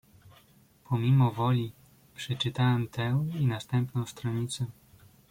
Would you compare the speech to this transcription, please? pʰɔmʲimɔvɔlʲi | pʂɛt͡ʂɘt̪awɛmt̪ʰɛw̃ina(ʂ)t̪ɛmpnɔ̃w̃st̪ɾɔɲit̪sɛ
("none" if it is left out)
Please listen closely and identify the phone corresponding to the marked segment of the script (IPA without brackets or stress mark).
s